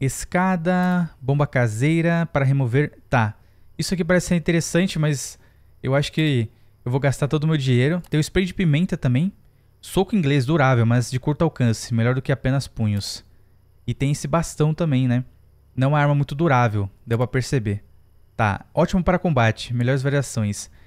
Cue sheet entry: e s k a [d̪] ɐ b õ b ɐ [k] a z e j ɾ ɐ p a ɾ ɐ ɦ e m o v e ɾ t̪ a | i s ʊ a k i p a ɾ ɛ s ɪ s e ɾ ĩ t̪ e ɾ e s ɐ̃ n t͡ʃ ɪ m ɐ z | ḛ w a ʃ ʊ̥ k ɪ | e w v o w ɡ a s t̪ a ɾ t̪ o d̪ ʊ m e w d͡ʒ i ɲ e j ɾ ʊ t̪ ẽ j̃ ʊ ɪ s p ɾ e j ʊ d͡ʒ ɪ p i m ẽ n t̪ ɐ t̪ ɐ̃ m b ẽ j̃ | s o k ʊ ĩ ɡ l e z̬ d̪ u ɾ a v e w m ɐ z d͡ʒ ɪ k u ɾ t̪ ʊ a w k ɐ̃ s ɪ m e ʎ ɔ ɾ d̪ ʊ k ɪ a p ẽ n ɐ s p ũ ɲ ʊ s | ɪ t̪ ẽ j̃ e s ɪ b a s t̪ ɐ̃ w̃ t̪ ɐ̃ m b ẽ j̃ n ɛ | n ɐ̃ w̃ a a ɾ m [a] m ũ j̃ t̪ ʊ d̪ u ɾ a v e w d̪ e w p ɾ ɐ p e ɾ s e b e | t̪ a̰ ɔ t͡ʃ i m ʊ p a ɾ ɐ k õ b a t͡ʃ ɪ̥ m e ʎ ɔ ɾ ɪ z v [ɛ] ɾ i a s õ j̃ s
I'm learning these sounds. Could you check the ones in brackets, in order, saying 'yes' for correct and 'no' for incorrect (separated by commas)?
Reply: yes, yes, no, no